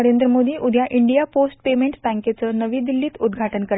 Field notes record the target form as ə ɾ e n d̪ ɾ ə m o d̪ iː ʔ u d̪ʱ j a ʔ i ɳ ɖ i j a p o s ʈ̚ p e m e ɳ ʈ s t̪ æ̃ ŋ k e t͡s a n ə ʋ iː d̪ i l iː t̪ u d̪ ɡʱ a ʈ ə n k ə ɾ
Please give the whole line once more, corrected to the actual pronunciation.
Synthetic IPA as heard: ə ɾ e n d̪ ɾ ə m o d̪ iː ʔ u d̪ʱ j a ʔ i ɳ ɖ i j a p o s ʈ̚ p e m e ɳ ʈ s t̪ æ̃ ŋ k e t͡s ə n ə ʋ iː d̪ i lː iː t̪ u d̪ ɡʱ a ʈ ə n k ə ɾ